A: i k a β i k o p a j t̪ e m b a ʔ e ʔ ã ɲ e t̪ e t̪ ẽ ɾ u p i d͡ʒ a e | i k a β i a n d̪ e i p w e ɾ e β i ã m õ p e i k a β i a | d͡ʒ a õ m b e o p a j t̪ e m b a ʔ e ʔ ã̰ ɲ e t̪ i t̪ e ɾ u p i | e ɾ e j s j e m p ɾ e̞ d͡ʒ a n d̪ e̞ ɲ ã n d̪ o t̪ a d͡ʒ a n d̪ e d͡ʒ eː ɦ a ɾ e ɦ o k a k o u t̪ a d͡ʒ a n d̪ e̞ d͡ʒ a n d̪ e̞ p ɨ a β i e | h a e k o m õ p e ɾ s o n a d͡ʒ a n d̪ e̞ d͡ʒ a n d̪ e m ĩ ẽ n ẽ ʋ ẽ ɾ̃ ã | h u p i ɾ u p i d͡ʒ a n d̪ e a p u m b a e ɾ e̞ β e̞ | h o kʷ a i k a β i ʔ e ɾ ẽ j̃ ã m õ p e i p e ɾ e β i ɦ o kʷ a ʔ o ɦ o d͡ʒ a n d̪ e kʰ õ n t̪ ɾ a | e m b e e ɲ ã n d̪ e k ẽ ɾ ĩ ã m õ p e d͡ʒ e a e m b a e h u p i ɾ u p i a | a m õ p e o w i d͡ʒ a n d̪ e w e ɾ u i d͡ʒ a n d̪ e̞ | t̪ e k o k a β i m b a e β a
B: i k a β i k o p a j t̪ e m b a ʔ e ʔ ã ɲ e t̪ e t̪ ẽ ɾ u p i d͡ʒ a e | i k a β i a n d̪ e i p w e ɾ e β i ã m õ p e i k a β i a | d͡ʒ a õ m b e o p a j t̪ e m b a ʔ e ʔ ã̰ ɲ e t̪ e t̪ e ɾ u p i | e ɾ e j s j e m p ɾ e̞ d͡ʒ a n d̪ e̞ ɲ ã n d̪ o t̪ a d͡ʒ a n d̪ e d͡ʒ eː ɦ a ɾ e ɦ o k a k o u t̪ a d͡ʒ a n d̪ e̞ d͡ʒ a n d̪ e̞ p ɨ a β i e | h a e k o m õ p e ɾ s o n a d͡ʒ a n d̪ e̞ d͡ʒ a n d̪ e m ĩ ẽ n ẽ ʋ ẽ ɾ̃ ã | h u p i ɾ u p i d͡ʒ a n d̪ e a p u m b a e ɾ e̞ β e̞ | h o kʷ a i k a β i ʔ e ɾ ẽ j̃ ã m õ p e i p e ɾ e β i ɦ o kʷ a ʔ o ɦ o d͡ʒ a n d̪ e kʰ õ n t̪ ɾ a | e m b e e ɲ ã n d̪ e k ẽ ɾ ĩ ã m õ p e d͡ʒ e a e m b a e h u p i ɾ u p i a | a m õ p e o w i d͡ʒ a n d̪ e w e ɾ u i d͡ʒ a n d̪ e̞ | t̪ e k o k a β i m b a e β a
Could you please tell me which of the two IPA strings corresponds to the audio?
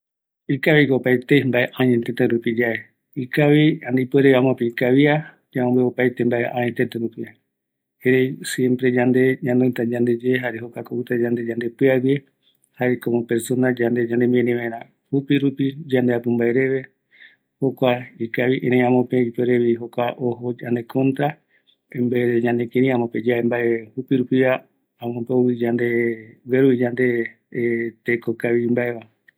B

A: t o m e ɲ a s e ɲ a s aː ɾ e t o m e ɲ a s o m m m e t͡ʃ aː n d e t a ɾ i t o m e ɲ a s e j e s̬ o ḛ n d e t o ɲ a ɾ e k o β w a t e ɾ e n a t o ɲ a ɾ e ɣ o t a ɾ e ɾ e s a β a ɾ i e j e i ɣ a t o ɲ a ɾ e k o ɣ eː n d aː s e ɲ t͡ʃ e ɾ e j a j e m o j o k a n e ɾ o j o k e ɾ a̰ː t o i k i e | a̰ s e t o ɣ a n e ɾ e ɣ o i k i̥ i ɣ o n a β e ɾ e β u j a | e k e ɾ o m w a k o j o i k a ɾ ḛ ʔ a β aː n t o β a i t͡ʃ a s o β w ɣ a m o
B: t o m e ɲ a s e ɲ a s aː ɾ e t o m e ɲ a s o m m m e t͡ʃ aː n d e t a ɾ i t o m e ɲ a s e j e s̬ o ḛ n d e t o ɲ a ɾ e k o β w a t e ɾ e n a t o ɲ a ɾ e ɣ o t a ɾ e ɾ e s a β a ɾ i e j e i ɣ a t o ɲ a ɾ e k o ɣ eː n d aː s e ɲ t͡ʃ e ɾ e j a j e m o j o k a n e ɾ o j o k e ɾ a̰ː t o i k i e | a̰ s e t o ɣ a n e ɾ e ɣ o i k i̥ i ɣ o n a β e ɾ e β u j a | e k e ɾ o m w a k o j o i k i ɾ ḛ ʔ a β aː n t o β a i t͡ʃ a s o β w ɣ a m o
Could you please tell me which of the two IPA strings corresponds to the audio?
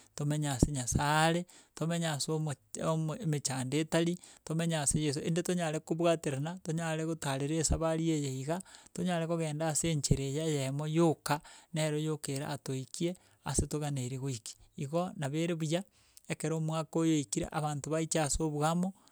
B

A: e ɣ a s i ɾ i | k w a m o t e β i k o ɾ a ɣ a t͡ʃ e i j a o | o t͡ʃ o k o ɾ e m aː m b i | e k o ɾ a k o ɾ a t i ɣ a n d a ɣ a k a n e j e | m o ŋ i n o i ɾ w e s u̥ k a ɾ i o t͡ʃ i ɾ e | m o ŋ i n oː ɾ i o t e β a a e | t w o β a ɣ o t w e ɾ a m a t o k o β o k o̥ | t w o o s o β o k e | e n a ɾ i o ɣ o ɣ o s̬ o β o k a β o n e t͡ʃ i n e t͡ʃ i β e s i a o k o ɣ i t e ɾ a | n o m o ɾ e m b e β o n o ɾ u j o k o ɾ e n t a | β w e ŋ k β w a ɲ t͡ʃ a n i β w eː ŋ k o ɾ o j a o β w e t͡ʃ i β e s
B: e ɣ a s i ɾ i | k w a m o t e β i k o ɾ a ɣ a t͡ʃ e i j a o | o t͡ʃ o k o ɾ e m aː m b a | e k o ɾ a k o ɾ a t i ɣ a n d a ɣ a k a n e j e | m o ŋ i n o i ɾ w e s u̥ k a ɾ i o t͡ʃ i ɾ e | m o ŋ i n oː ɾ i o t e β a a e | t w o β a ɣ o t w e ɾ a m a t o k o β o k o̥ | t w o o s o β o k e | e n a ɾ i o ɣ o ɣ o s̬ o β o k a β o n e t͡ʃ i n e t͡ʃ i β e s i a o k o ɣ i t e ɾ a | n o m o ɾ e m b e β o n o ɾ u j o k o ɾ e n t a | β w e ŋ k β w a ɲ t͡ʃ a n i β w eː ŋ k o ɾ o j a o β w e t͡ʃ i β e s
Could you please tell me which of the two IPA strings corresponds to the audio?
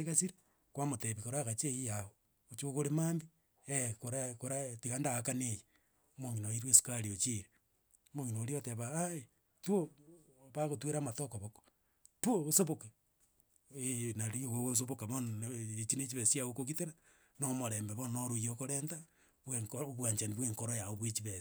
A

